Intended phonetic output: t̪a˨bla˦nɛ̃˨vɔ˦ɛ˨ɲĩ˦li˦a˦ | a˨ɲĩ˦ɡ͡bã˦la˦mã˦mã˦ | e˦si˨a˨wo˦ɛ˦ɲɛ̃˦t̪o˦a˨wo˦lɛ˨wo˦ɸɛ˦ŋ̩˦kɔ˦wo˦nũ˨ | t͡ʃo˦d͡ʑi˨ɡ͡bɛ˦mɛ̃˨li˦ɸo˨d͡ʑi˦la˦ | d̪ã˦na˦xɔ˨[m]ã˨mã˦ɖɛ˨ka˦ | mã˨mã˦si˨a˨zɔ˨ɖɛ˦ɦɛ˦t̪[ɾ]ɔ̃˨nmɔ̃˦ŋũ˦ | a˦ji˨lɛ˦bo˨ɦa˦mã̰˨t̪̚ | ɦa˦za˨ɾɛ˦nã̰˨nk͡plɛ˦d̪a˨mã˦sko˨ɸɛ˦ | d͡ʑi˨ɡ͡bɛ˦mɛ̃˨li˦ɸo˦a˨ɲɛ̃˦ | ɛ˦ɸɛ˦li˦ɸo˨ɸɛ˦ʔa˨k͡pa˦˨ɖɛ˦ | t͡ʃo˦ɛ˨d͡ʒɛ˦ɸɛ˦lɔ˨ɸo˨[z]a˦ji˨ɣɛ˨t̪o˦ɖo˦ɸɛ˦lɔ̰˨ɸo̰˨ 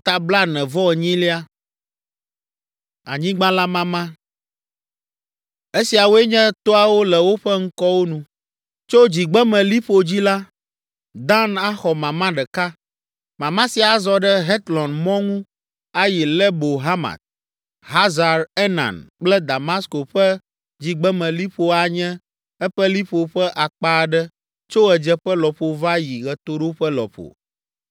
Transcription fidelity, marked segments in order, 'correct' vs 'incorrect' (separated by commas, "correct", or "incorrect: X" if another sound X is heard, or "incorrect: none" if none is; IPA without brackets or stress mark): correct, incorrect: l, incorrect: v